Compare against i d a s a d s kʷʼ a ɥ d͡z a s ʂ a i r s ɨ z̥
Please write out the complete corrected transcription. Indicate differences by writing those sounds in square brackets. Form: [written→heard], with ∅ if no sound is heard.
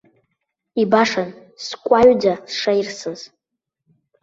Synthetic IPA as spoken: i [d→b] a [s→ʂ] a [d→n] s kʷʼ a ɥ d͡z a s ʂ a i r s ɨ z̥